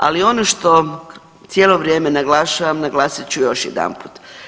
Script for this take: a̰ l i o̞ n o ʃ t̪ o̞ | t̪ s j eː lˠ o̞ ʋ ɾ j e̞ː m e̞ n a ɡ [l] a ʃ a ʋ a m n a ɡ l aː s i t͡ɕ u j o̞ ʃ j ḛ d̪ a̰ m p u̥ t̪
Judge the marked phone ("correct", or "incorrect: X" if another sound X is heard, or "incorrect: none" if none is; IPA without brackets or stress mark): correct